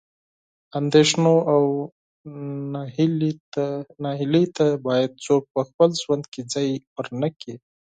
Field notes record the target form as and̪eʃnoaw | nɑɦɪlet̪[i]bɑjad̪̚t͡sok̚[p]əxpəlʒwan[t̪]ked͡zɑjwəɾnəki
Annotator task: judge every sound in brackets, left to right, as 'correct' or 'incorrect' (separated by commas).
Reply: incorrect, correct, incorrect